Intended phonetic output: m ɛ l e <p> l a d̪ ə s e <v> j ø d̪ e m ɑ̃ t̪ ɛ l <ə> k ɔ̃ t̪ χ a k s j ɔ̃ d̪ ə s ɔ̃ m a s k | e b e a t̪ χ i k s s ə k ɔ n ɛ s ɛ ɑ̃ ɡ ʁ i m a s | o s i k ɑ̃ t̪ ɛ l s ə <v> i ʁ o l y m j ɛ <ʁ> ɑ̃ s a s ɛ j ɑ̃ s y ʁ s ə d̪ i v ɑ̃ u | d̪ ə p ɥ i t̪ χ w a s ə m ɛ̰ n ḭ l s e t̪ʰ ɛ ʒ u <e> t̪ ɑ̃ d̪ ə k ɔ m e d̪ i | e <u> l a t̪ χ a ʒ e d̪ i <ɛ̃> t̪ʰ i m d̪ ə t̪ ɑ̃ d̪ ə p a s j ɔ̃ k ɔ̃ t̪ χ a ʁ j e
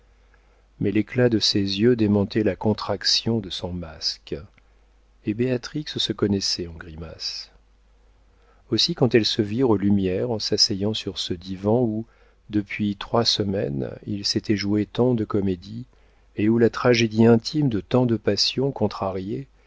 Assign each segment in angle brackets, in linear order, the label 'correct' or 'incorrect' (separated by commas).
incorrect, incorrect, incorrect, correct, correct, correct, correct, correct